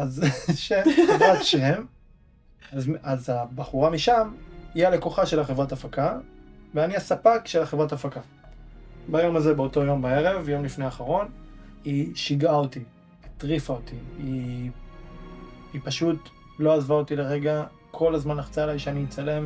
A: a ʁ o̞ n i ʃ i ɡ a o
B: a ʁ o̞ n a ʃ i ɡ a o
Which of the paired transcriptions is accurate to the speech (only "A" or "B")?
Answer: A